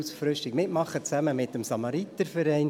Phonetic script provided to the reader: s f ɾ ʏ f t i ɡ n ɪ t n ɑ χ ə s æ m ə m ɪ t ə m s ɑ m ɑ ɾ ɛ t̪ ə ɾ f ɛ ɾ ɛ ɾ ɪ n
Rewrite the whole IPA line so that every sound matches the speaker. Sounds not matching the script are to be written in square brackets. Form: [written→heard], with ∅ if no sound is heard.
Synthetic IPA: s f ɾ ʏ [f→ʃ] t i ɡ [n→m] ɪ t [n→m] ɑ χ ə [s→t͡s] æ m ə m ɪ t ə m s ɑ m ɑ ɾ [ɛ→i] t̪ ə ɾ f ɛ ɾ ɛ [ɾ→∅] ɪ n